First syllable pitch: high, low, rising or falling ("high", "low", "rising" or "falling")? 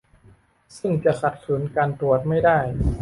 falling